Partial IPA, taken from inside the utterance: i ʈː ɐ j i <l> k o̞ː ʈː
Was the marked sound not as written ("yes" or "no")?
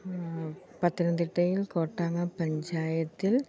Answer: no